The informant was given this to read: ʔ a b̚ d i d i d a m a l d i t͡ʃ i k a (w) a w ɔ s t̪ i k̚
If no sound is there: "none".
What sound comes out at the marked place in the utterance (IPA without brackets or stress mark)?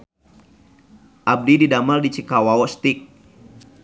w